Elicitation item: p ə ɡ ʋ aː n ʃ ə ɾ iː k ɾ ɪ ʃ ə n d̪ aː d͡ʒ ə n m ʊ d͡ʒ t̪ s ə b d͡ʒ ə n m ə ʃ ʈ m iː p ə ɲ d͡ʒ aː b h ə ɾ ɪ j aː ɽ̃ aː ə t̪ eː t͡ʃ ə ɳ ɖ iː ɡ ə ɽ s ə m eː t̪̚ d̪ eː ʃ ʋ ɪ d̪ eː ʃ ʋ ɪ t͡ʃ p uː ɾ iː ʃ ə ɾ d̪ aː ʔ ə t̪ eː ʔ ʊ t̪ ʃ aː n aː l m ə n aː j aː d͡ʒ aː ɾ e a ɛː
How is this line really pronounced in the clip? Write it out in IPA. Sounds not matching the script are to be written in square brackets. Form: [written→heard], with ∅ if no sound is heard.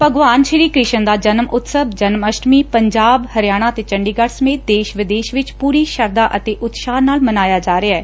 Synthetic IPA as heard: p ə ɡ ʋ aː n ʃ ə ɾ iː k ɾ ɪ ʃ ə n d̪ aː d͡ʒ ə n m ʊ [d͡ʒ→∅] t̪ s ə b d͡ʒ ə n m ə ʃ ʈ m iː p ə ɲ d͡ʒ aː b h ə ɾ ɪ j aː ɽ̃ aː ə t̪ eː t͡ʃ ə ɳ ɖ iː ɡ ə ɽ s ə m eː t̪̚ d̪ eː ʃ ʋ ɪ d̪ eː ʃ ʋ ɪ t͡ʃ p uː ɾ iː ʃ ə ɾ d̪ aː ʔ ə t̪ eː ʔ ʊ t̪ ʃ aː n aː l m ə n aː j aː d͡ʒ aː ɾ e a ɛː